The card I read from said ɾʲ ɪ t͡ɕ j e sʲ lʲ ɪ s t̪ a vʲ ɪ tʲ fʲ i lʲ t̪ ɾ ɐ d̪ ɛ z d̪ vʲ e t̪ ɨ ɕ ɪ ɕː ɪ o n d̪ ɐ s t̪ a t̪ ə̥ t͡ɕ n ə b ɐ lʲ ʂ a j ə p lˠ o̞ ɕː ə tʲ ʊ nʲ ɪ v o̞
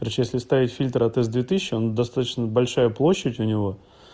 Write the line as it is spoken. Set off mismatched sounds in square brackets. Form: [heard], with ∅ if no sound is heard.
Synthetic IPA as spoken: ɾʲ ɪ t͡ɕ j e sʲ lʲ ɪ s t̪ a vʲ ɪ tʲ fʲ i lʲ t̪ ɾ ɐ [t̪] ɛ z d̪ vʲ e t̪ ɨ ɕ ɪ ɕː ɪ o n d̪ ɐ s t̪ a t̪ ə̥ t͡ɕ n ə b ɐ lʲ ʂ a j ə p lˠ o̞ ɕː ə tʲ ʊ nʲ ɪ v o̞